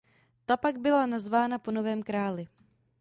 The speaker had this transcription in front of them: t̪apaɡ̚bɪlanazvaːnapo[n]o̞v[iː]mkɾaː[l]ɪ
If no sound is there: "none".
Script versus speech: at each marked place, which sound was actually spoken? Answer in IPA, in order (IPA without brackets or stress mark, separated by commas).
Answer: n, ɛː, l